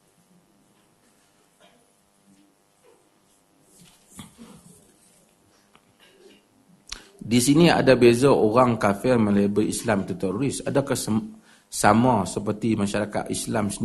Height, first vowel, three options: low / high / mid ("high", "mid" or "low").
high